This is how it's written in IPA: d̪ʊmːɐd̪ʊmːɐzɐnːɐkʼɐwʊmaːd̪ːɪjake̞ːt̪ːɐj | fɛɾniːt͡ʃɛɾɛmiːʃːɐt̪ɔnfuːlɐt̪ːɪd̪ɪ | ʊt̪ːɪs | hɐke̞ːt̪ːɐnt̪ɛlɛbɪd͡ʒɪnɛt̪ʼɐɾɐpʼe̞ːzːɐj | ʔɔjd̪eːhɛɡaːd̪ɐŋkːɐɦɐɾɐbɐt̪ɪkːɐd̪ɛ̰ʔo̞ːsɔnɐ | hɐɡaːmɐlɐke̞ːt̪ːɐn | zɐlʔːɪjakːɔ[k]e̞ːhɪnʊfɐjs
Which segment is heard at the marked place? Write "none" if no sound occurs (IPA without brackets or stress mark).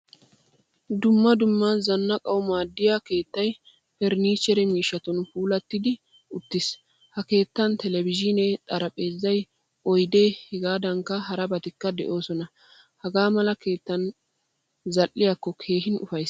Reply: kʰ